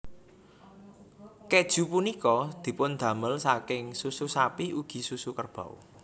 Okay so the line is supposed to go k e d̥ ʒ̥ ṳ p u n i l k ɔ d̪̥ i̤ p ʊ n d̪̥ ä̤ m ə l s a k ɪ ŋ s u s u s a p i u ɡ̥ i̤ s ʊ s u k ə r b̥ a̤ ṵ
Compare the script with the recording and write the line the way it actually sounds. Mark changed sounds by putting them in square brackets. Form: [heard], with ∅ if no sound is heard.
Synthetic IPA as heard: k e d̥ ʒ̥ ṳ p u n i [∅] k ɔ d̪̥ i̤ p ʊ n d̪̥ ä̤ m ə l s a k ɪ ŋ s u s u s a p i u ɡ̥ i̤ s [u] s u k ə r b̥ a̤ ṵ